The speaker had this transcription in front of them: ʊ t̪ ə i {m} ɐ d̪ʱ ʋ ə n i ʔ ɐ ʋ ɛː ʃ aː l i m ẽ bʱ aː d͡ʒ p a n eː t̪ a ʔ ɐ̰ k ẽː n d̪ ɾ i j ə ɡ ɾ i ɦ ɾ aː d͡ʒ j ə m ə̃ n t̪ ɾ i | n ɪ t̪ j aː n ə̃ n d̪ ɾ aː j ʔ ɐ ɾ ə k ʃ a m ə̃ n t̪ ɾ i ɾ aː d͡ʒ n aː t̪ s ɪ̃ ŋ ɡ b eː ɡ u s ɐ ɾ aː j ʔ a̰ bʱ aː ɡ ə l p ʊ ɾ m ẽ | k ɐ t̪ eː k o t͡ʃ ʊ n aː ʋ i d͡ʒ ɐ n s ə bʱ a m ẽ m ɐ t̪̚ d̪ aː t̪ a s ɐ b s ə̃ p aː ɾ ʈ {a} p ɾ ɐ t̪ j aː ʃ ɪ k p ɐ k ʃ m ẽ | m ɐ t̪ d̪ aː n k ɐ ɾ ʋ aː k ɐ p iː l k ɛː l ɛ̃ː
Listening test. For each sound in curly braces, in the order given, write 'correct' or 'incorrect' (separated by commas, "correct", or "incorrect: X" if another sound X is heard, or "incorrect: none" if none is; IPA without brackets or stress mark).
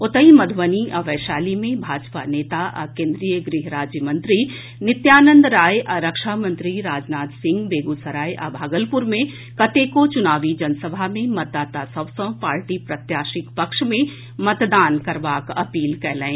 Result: correct, incorrect: i